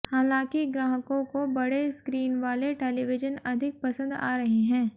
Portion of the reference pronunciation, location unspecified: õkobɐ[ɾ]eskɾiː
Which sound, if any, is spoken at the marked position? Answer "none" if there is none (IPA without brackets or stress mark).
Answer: ɽ